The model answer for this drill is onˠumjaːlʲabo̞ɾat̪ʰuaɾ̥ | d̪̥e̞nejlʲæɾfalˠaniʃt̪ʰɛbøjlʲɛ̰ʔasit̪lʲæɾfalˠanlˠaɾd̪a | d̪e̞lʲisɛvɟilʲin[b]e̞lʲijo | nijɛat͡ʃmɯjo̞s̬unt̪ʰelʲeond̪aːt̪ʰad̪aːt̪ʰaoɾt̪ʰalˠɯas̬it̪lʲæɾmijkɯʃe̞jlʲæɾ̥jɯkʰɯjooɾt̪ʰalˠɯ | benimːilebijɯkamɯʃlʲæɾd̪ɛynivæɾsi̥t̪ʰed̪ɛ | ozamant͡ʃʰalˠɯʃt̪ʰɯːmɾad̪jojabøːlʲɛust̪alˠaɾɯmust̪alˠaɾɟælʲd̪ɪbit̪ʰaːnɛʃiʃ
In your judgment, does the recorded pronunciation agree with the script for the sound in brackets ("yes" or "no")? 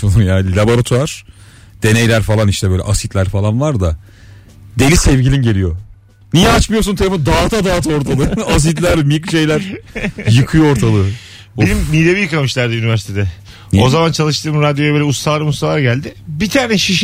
no